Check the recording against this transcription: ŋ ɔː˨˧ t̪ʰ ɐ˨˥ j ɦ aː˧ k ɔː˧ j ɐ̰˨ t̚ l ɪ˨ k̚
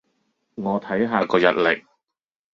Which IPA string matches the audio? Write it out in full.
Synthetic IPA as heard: ŋ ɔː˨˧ t̪ʰ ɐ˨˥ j ɦ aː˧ k ɔː˧ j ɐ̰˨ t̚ l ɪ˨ k̚